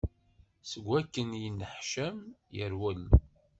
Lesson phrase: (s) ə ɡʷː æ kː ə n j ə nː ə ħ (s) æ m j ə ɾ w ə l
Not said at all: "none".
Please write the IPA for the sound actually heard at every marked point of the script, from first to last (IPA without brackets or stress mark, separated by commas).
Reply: s, ʃ